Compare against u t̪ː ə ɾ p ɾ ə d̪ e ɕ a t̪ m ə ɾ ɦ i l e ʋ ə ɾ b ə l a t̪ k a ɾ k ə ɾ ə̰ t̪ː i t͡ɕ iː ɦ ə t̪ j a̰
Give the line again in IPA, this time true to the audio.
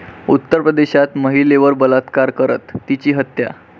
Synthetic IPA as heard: u t̪ː ə ɾ p ɾ ə d̪ e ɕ a t̪ m ə ɦ i l e ʋ ə ɾ b ə l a t̪ k a ɾ k ə ɾ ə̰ t̪ː i t͡ɕ iː ɦ ə t̪ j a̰